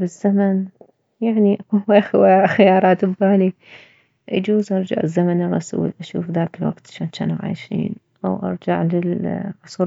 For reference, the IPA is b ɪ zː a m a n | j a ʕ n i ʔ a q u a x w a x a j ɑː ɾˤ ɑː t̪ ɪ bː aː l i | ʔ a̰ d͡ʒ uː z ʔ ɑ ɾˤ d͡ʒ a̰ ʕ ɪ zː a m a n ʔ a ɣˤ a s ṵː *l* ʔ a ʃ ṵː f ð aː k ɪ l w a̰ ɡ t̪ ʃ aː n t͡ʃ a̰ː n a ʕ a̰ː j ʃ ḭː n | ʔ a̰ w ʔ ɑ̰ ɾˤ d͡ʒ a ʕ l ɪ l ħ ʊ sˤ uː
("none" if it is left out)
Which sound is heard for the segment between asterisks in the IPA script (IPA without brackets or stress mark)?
l